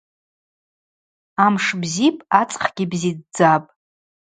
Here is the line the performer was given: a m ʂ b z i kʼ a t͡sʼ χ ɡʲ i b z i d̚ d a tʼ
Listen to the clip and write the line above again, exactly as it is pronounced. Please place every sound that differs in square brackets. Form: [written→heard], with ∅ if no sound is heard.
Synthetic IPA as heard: a m ʂ b z i [kʼ→pʼ] a t͡sʼ χ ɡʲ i b z i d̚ [d→d͡z] a [tʼ→pʼ]